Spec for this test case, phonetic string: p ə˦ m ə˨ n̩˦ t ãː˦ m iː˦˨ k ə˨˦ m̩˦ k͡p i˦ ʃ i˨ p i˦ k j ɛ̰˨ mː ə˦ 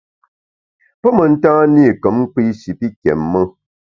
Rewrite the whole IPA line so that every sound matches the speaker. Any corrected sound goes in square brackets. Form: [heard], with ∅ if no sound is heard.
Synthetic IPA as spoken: p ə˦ m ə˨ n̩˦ t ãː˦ [n] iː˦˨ k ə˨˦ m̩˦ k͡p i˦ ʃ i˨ p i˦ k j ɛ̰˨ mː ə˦